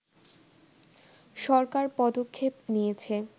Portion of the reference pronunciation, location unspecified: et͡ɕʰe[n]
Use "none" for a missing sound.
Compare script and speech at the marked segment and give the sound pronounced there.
none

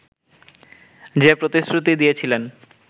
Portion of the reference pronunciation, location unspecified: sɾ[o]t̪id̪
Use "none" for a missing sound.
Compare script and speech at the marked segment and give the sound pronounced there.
u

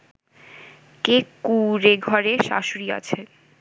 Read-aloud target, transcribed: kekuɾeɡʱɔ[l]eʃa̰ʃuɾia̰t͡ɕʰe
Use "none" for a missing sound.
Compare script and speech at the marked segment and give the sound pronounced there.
ɾ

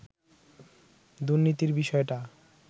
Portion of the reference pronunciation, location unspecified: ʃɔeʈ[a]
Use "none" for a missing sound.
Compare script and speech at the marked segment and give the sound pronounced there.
a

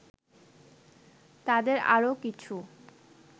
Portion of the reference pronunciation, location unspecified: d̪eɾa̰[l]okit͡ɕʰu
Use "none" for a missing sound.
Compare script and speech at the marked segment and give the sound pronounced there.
ɾ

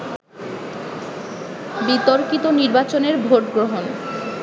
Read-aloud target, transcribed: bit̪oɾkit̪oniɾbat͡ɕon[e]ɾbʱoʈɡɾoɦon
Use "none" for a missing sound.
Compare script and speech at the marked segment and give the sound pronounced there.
e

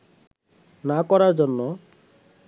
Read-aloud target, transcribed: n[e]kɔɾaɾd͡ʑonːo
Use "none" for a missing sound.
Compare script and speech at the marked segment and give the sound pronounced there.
a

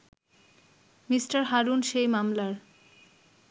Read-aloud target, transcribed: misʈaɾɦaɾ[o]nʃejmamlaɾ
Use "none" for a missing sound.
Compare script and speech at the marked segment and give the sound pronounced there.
u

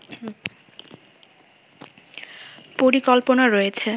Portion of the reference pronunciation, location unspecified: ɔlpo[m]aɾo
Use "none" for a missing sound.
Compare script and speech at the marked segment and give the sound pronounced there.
n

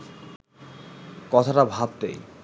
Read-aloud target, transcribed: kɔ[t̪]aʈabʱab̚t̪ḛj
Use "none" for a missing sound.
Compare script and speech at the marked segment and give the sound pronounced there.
t̪ʰ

